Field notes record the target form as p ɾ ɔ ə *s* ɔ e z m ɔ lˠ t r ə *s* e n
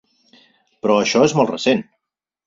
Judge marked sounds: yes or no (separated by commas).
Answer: no, yes